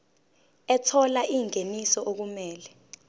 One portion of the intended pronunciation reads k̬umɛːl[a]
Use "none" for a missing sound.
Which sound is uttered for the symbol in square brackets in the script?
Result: ɛ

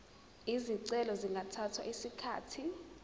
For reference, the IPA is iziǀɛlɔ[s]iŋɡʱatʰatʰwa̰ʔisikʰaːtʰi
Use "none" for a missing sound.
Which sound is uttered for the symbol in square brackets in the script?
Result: z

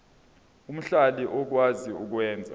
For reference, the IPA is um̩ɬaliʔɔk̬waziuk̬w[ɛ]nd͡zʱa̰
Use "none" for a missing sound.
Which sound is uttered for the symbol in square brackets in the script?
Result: ɛː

